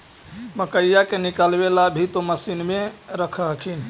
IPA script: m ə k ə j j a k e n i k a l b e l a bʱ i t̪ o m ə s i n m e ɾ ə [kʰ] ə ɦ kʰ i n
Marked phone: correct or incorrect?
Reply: correct